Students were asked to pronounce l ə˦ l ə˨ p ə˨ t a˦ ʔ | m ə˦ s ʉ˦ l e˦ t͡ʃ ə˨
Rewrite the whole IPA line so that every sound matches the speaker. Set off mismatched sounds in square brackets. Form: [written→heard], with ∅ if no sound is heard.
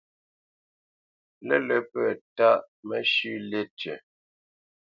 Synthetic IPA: l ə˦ l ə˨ p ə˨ t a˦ ʔ | m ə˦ [s→ʃ] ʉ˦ l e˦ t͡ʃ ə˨